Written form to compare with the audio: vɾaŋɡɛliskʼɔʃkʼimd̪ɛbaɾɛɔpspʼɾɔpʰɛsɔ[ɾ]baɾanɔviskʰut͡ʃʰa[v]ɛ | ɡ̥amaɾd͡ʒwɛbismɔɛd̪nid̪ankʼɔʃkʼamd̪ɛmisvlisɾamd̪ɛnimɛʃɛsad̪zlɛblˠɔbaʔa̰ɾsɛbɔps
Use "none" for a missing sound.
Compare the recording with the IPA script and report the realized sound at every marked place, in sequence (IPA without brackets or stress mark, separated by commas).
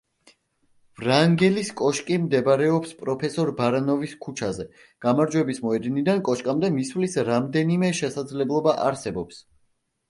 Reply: ɾ, z